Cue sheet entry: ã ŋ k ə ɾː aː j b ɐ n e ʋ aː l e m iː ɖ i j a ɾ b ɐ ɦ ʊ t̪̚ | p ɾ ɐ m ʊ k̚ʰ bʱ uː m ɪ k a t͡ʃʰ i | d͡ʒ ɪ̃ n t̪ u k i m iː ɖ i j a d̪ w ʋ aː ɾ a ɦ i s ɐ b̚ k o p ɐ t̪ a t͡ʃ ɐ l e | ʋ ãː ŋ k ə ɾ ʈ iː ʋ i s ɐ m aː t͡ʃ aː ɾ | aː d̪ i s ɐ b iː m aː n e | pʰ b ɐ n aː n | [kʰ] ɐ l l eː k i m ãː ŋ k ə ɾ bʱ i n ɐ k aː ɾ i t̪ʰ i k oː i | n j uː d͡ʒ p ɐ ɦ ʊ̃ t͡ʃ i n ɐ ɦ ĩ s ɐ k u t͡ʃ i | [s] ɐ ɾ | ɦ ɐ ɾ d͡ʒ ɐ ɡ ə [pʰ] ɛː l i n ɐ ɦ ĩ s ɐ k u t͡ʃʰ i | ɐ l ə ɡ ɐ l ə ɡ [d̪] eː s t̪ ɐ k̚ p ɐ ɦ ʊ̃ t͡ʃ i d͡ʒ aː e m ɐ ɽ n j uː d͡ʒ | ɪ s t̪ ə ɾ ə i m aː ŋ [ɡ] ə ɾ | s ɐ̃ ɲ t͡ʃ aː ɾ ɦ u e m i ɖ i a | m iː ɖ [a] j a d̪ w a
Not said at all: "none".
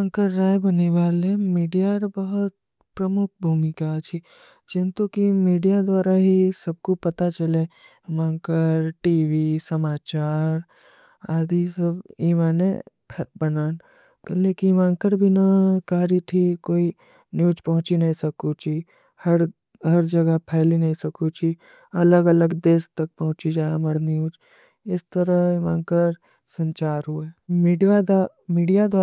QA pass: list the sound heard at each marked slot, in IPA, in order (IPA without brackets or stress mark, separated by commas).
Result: k, h, pʰ, d̪, k, i